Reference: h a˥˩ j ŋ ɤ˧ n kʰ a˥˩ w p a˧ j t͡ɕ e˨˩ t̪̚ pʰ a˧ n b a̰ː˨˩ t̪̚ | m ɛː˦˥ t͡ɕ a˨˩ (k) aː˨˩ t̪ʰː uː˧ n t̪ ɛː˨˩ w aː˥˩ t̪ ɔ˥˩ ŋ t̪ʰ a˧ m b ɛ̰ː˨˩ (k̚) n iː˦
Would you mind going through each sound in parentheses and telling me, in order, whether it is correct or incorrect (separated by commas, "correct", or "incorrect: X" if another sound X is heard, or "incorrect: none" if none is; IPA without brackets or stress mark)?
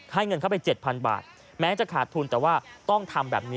incorrect: kʰ, incorrect: p̚